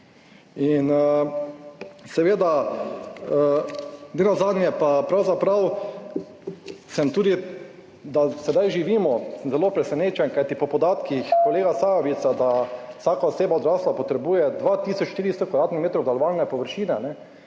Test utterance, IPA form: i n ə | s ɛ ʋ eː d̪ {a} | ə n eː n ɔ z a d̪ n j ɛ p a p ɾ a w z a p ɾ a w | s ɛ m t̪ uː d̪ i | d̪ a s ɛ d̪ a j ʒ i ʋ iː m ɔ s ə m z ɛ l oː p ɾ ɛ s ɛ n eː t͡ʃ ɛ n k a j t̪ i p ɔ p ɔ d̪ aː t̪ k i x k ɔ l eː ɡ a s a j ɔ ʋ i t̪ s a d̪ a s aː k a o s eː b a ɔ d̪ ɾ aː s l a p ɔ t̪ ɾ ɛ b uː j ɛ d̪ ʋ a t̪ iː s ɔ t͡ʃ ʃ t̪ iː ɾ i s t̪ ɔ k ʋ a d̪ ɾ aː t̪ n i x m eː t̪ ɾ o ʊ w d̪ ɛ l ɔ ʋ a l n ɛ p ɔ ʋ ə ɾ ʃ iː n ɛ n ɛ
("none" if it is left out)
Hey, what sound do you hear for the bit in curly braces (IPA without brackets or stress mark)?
a